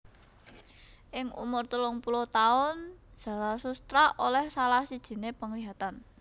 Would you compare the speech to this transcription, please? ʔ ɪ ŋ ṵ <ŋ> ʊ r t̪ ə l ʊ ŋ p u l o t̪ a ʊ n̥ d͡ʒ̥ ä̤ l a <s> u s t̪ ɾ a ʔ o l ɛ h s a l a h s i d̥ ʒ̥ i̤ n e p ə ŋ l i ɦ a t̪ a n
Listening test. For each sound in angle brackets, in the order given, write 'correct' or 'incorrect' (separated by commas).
incorrect, correct